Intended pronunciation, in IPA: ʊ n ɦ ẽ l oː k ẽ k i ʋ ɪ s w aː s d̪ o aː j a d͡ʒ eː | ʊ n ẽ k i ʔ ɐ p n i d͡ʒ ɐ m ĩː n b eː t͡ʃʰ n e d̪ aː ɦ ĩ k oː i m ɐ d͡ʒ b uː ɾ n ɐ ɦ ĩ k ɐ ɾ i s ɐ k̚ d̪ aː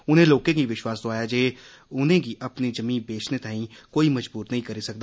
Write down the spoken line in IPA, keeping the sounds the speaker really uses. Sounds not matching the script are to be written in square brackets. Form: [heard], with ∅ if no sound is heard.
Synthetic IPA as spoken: ʊ n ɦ ẽ l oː k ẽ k i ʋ ɪ [ʃ] w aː s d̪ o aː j a d͡ʒ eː | ʊ n ẽ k i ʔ ɐ p n i d͡ʒ ɐ m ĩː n b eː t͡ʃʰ n e [t̪] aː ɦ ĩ k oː i m ɐ d͡ʒ b uː ɾ n ɐ ɦ ĩ k ɐ ɾ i s ɐ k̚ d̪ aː